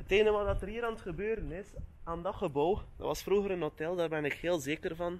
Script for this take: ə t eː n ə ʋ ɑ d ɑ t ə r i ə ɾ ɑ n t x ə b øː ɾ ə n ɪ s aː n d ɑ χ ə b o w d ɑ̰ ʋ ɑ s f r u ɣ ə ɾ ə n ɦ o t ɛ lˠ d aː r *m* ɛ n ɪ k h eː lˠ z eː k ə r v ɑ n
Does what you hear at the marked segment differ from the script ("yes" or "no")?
yes